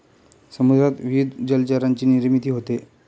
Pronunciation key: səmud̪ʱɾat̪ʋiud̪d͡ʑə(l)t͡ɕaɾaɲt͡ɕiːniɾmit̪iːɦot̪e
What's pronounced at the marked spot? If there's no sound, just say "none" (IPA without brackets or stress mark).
l